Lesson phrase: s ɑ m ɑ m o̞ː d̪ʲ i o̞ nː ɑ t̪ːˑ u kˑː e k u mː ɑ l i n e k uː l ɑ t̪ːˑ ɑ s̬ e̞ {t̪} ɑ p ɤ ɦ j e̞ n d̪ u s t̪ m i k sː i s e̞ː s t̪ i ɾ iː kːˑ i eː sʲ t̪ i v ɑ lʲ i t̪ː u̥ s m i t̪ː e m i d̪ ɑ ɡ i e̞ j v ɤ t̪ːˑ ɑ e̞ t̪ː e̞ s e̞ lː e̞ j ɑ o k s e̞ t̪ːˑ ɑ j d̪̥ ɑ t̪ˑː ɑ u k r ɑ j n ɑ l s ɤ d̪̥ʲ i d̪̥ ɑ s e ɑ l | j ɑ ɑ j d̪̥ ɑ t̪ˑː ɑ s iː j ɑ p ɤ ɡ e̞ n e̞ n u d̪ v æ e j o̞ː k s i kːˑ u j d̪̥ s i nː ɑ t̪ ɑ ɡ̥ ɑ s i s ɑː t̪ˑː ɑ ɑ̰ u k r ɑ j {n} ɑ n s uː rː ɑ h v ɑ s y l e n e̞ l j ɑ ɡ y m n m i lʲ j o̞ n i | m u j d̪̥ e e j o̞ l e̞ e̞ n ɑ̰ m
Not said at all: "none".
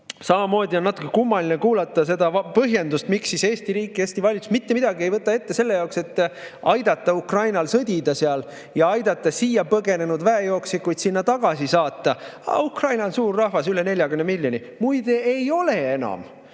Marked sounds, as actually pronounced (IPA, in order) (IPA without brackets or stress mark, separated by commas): d̪, n